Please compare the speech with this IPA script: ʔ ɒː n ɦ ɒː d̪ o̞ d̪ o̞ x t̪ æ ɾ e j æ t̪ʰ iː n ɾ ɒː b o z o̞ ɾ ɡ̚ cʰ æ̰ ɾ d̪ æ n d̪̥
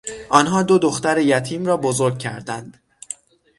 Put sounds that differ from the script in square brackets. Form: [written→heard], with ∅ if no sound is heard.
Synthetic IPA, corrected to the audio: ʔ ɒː n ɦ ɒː d̪ o̞ d̪ o̞ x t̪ æ ɾ e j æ t̪ʰ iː [n→m] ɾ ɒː b o z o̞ ɾ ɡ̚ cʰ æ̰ ɾ d̪ æ n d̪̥